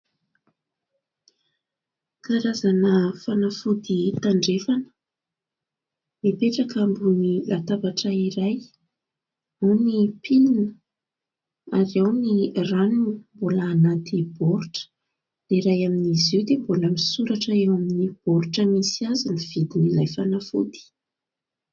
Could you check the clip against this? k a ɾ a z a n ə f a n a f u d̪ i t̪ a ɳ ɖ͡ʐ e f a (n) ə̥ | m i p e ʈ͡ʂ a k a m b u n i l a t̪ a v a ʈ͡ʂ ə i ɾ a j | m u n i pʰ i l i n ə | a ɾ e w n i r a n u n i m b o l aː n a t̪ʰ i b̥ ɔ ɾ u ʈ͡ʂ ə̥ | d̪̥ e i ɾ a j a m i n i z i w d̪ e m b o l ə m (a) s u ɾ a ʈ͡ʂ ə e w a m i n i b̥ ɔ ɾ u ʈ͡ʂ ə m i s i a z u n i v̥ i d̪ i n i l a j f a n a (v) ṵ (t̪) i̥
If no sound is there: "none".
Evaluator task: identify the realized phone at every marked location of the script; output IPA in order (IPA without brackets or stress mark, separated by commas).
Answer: n, i, f, d̪